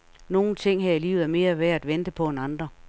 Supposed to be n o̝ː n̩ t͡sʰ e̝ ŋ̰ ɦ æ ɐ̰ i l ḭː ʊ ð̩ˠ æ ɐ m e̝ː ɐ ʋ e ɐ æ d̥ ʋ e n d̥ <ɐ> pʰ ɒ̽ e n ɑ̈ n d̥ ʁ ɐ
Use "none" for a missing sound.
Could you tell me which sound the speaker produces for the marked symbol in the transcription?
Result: ə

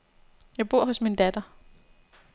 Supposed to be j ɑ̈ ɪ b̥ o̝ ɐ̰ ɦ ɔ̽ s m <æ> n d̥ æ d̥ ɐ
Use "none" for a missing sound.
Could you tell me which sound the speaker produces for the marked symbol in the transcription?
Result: i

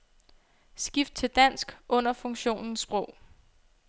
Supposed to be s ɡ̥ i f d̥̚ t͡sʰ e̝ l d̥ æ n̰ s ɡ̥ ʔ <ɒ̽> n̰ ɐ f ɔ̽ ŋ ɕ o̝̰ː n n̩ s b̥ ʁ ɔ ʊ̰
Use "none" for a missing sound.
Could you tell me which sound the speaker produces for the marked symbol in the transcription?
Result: ɔ̽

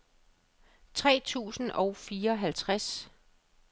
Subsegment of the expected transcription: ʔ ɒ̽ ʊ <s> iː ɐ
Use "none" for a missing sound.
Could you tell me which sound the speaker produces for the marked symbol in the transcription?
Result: f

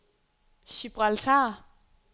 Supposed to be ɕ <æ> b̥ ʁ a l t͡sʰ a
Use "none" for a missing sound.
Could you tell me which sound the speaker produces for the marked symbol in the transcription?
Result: i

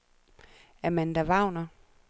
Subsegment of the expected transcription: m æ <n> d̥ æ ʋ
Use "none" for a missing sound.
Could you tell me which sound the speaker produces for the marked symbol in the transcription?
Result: n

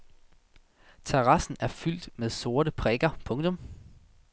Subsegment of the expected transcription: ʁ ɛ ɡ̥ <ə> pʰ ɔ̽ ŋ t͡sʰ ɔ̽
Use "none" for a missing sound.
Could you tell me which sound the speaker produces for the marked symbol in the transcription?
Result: ɐ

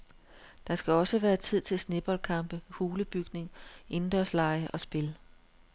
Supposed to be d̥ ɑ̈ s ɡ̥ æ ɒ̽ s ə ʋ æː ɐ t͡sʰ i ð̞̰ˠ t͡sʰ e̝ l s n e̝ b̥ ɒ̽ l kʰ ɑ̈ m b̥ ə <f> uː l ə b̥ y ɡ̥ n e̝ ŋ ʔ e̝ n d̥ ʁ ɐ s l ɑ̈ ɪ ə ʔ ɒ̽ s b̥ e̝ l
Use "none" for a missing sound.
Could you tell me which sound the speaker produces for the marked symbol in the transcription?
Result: h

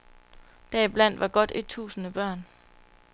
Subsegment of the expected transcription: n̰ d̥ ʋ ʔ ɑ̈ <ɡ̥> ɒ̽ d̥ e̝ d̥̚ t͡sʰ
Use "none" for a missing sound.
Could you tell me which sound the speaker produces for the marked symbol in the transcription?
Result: ɡ̥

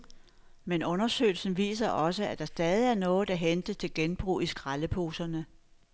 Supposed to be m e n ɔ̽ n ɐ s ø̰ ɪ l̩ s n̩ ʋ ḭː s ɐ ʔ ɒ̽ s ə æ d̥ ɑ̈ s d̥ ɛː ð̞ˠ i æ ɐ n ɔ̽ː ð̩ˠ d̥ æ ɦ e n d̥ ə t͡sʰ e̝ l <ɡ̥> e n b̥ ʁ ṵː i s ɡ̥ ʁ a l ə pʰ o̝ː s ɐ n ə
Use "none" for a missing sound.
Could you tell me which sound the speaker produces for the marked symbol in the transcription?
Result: ɡ̥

